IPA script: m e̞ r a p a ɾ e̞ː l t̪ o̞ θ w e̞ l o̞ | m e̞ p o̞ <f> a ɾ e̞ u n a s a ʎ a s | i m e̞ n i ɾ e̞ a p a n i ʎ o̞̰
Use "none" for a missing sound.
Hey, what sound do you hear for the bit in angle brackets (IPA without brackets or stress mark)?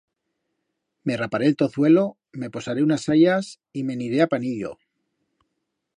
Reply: s